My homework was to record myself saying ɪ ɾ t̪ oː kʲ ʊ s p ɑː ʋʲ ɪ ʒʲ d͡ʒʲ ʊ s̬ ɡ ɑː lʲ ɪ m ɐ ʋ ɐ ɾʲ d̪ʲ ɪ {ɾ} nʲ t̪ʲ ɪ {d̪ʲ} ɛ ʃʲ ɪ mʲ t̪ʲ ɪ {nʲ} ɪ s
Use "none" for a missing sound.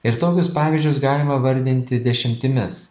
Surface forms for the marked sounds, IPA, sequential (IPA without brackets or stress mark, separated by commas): none, d̪ʲ, mʲ